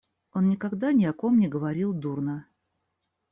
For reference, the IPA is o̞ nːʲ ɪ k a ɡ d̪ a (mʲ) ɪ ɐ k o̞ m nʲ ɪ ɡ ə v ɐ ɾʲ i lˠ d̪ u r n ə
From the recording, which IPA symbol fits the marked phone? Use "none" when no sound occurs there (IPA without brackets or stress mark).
nʲ